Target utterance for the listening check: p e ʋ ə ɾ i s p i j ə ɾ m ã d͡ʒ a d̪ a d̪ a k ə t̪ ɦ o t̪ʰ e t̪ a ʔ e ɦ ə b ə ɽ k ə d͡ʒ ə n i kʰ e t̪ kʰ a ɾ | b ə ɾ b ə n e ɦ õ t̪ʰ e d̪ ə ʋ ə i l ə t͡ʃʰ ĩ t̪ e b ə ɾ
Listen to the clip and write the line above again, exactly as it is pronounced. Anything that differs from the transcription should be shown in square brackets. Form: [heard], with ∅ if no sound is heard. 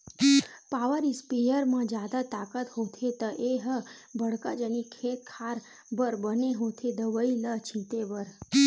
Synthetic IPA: p [a] ʋ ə ɾ i s p i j ə ɾ m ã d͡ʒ a d̪ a [t̪] a k ə t̪ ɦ o t̪ʰ e t̪ [ə] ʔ e ɦ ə b ə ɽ k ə d͡ʒ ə n i kʰ e t̪ kʰ a ɾ | b ə ɾ b ə n e ɦ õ t̪ʰ e d̪ ə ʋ ə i l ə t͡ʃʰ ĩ t̪ e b ə ɾ